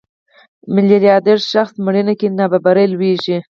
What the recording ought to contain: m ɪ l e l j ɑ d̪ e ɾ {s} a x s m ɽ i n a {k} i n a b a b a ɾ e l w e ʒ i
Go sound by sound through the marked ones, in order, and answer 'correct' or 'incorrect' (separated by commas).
incorrect, correct